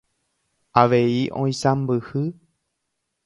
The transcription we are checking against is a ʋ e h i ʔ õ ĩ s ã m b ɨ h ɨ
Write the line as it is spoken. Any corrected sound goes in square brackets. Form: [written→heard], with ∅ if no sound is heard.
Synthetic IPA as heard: a ʋ e [h→∅] i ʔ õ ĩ s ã m b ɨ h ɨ